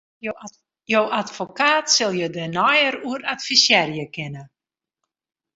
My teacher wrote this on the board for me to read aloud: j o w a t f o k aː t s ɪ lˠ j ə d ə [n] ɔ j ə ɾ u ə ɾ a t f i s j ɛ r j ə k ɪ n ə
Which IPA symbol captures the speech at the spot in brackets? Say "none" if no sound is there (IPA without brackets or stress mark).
n